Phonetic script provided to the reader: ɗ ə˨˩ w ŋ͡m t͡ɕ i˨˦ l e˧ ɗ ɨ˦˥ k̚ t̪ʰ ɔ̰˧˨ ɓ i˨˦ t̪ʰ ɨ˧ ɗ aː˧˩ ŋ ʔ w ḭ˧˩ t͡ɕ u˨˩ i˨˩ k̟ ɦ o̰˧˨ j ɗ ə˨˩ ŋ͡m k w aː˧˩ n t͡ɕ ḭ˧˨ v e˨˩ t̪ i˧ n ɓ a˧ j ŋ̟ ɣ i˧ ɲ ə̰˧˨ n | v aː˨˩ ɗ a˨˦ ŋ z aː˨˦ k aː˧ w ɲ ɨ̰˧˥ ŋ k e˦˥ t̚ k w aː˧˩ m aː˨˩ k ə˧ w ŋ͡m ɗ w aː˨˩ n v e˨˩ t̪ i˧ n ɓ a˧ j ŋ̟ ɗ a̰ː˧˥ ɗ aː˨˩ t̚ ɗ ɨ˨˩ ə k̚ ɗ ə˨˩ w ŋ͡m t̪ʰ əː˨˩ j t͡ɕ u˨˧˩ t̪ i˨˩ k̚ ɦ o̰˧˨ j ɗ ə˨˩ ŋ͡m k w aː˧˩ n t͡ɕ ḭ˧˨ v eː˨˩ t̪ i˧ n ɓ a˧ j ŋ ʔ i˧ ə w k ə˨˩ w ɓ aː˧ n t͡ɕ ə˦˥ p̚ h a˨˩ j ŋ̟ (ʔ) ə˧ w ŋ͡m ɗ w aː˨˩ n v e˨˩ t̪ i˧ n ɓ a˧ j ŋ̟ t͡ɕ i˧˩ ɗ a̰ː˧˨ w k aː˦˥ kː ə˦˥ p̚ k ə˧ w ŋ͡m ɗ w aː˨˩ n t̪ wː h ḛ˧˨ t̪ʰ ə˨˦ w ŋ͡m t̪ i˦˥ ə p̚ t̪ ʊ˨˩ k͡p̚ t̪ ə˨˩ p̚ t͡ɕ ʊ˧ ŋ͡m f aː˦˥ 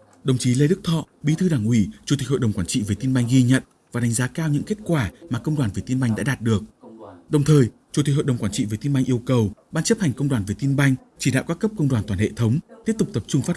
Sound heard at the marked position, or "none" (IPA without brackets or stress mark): k